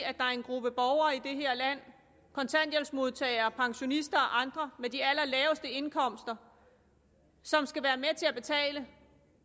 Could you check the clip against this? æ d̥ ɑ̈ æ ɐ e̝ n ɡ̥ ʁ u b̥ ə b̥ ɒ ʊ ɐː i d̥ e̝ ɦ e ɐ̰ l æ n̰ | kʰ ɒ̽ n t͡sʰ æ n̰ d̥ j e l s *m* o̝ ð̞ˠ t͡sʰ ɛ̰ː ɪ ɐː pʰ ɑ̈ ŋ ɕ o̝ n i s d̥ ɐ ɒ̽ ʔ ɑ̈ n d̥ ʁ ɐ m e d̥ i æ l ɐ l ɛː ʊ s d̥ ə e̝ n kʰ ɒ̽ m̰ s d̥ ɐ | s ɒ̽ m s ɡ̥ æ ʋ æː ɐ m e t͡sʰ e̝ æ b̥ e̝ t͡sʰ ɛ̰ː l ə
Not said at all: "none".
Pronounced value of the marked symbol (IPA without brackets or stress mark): m